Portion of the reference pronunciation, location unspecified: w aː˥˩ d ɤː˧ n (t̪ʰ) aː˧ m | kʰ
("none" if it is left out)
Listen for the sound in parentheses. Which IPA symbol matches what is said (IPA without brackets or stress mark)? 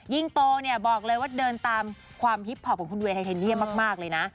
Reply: t̪